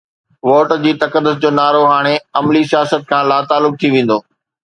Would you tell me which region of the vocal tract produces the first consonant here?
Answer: lips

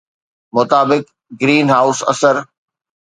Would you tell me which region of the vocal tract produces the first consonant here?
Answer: lips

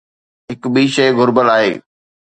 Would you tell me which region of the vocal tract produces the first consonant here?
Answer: throat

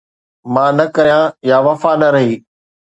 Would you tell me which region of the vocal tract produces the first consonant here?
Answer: lips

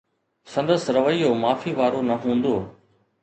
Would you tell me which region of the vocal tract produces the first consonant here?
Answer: tongue tip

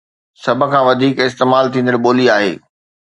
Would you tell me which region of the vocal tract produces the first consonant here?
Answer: tongue tip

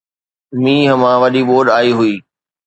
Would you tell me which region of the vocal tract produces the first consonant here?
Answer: lips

